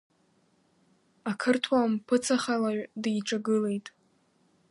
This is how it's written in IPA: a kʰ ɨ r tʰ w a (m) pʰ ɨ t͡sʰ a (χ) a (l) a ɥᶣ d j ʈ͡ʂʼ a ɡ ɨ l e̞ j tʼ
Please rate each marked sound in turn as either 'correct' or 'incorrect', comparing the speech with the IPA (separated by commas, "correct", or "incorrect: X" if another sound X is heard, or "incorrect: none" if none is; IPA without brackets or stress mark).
correct, correct, correct